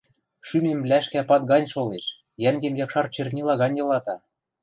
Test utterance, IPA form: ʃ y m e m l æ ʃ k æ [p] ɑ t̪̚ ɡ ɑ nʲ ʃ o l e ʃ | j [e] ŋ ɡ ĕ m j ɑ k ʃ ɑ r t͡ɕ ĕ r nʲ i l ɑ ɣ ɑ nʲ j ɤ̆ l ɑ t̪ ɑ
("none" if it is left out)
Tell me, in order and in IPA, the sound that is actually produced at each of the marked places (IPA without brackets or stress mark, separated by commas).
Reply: p, æ